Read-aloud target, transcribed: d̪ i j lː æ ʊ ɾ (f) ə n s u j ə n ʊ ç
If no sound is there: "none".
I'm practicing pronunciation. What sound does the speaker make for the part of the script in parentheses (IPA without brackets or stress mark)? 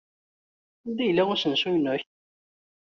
s